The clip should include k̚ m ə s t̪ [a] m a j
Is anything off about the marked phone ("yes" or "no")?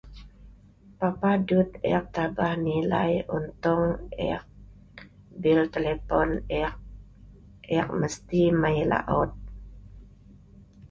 yes